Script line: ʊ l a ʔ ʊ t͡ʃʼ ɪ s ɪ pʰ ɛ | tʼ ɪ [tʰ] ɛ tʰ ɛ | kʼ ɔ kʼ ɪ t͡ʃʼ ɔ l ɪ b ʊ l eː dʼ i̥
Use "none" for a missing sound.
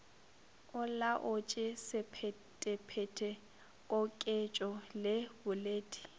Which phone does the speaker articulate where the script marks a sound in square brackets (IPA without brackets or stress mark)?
pʰ